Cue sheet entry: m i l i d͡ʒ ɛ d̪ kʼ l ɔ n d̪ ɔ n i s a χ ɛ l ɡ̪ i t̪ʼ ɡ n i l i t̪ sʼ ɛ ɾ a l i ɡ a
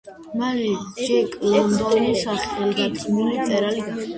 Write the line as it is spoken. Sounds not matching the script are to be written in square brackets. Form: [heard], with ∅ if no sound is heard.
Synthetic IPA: m [a] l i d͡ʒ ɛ [∅] kʼ l ɔ n d̪ ɔ n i s a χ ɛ l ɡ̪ [a] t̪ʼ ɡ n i l i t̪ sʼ ɛ ɾ a l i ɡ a